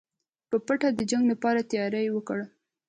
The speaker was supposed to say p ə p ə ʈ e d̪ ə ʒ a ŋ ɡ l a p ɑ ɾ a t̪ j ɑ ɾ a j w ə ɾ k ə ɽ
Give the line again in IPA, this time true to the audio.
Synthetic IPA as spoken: p ə p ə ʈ a d̪ ə d͡ʒ a ŋ ɡ l a p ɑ ɾ a t̪ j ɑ ɾ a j w ə k ə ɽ